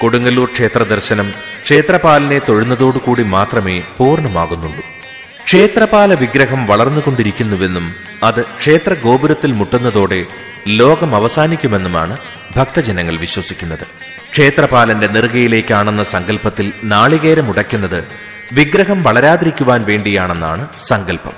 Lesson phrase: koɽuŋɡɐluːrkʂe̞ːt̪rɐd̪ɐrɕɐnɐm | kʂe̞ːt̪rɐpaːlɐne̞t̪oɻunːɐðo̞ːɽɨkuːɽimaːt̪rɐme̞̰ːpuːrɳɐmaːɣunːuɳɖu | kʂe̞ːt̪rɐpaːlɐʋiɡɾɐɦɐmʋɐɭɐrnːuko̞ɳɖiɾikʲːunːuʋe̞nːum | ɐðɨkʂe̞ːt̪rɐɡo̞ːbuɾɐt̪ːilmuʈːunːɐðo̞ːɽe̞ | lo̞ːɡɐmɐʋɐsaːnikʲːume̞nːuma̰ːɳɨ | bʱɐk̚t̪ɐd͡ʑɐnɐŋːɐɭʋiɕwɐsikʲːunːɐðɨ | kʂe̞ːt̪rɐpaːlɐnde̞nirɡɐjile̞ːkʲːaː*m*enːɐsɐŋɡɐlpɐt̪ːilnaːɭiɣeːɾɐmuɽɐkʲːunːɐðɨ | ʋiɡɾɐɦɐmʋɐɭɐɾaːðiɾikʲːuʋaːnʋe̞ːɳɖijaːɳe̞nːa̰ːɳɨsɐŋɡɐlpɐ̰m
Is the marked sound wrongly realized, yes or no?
yes